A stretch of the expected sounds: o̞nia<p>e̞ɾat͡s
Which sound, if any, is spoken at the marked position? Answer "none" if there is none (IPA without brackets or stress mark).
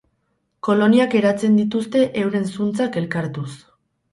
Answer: k